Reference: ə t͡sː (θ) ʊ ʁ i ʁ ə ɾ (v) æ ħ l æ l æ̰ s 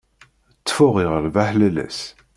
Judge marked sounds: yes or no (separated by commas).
no, yes